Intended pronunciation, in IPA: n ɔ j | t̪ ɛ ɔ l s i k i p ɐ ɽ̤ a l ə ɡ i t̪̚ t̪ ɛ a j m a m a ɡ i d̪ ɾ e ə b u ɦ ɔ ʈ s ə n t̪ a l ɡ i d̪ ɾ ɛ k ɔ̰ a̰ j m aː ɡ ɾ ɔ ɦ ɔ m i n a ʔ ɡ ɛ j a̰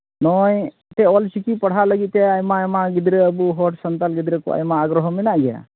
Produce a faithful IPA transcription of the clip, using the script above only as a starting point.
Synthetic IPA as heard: n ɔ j | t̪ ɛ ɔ l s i k i p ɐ ɽ̤ a l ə ɡ i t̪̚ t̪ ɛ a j m a m a ɡ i d̪ ɾ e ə b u ɦ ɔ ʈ s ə n t̪ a l ɡ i d̪ ɾ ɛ k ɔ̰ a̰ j m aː ɡ ɾ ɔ ɦ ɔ m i n a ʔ ɡ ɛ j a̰